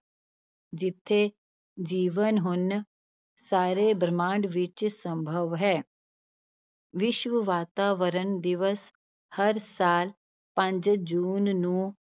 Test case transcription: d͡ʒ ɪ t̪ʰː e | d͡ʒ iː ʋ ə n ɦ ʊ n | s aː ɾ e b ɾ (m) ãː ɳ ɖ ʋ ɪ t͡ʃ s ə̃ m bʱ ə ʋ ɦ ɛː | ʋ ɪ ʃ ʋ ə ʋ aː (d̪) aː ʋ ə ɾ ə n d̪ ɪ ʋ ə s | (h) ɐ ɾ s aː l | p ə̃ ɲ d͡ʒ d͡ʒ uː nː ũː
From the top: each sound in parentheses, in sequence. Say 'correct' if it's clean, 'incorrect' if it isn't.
correct, incorrect, correct

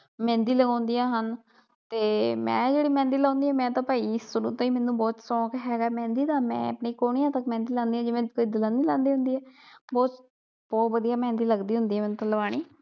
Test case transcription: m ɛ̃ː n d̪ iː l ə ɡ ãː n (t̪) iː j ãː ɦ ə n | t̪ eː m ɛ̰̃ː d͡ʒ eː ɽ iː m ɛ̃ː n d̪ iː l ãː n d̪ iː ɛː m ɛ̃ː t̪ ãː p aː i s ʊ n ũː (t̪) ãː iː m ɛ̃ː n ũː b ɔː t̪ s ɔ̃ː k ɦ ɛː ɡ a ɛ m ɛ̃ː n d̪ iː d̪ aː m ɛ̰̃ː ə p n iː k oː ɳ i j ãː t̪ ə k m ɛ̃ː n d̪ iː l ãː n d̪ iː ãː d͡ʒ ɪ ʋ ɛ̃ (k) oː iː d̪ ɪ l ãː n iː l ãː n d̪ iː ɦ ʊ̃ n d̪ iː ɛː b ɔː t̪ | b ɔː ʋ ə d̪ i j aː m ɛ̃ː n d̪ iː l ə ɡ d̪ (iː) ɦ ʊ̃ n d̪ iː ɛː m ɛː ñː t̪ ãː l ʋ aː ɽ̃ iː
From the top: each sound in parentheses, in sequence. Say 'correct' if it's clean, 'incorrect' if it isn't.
incorrect, correct, correct, correct

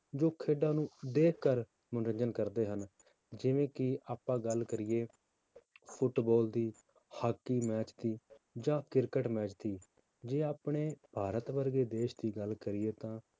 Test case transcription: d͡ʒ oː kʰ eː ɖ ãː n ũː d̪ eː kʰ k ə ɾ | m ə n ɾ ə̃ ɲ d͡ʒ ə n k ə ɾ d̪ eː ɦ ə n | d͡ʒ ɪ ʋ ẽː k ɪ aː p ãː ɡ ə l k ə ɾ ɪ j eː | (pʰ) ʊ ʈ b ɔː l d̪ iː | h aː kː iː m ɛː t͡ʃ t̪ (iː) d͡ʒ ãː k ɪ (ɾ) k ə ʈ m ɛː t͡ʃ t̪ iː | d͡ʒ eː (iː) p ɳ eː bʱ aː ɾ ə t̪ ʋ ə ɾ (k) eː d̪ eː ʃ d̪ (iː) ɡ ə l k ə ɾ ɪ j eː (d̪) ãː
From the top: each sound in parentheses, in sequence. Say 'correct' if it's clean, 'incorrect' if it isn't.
correct, correct, correct, incorrect, incorrect, correct, incorrect

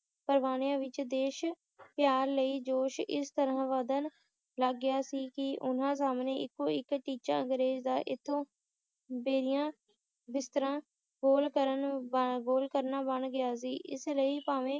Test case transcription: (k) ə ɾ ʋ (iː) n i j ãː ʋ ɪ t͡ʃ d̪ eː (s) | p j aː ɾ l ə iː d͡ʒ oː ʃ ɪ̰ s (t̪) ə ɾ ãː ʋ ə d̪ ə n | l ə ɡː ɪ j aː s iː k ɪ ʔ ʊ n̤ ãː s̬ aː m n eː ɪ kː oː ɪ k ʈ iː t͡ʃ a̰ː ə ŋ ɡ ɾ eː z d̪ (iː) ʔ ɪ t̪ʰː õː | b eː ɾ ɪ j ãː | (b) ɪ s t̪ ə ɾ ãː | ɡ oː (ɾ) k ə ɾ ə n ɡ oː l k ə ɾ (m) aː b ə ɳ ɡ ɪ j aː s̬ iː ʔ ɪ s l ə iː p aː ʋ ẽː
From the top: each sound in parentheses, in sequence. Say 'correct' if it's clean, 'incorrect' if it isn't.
incorrect, incorrect, incorrect, correct, incorrect, correct, incorrect, incorrect

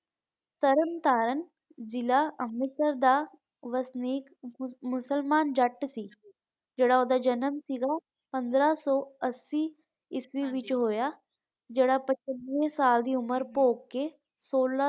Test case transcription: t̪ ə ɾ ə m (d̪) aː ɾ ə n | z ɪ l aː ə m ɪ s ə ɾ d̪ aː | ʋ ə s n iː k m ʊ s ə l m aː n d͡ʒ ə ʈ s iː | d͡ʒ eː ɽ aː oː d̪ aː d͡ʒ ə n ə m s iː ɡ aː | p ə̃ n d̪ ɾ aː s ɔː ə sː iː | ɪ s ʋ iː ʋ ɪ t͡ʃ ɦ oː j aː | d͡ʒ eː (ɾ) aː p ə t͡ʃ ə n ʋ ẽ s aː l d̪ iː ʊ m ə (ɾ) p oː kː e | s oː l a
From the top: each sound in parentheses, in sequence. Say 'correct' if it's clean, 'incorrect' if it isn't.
incorrect, incorrect, correct

